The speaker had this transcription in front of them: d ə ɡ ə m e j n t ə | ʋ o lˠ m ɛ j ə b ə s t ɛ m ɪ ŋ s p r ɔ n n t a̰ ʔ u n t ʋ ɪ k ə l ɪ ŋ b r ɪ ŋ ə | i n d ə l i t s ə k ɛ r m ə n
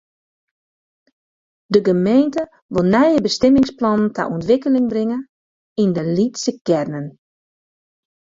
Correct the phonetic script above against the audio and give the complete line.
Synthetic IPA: d ə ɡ ə m e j n t ə | ʋ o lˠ n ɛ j ə b ə s t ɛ m ɪ ŋ s p l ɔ n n t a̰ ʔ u n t ʋ ɪ k ə l ɪ ŋ b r ɪ ŋ ə | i n d ə l i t s ə k ɛ r n ə n

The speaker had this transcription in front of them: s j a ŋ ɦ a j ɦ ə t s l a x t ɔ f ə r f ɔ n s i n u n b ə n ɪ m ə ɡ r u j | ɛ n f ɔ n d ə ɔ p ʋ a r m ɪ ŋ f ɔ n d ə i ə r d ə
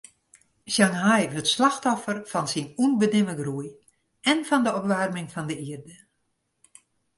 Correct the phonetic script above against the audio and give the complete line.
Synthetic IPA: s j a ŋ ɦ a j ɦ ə t s l a x t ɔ f ə r f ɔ n s i n u n b ə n ɪ m ə ɡ r u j | ɛ n f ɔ n d ə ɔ p ʋ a r m ɪ ŋ f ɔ n d ə i ə r d ə

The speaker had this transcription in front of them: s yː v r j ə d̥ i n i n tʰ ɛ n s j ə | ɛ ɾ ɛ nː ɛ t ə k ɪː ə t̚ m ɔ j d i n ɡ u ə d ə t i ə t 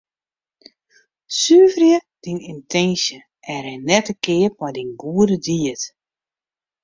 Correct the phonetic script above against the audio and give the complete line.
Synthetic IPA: s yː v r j ə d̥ i n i n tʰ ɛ n s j ə | ɛ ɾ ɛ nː ɛ t ə k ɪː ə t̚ m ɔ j d i n ɡ u ə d ə d i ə t

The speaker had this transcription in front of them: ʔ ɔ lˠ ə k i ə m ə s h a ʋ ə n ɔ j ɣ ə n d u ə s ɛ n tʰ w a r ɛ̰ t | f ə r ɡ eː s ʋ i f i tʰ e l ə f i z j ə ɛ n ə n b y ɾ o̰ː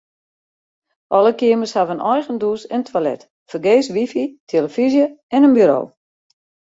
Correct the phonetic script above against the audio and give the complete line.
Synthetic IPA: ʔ ɔ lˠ ə k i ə m ə s h a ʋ ə n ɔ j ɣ ə n d u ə s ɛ n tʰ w a l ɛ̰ t | f ə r ɡ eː s ʋ i f i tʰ e l ə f i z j ə ɛ n ə n b y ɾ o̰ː

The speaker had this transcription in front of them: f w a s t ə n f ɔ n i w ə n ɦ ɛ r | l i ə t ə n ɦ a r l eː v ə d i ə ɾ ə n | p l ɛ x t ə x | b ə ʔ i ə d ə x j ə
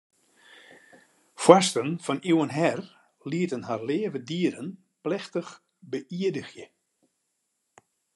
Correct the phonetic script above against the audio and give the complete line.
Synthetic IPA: f w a s t ə n f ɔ n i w ə n ɦ ɛ r | l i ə t ə n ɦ a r l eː v ə d i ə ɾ ə n | p l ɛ x t ə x | b ə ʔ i ə d ə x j ə

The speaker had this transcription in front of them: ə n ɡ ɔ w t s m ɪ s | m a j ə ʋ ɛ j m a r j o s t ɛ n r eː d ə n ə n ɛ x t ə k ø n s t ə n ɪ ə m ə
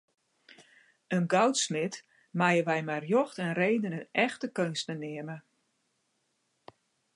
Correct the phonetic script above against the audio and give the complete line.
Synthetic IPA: ə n ɡ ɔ w t s m ɪ t | m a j ə ʋ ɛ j m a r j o x t ɛ n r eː d ə n ə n ɛ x t ə k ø n s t ə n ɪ ə m ə

